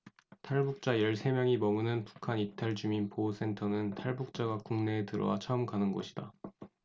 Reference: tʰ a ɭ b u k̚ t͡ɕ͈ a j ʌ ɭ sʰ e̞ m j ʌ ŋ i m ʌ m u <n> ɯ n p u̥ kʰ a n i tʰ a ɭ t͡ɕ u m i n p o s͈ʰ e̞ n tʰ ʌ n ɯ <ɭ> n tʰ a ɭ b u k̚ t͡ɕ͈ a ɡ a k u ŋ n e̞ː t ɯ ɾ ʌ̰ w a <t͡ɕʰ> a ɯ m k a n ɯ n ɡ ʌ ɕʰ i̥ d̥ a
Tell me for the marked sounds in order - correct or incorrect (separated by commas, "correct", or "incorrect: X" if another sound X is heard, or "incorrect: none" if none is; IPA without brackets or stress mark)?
correct, incorrect: none, correct